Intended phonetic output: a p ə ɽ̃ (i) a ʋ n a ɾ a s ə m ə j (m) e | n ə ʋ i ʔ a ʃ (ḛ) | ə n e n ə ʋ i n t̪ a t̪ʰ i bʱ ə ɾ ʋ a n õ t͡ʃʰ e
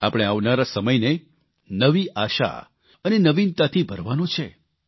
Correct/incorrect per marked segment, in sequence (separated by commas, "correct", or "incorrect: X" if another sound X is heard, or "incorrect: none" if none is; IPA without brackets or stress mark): incorrect: e, incorrect: n, incorrect: a̰